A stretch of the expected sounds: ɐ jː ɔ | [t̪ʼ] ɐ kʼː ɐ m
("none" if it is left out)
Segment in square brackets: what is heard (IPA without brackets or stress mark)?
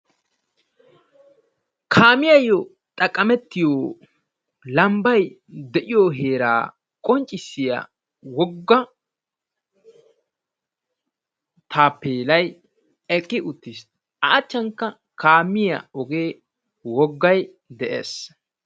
t̪ʼ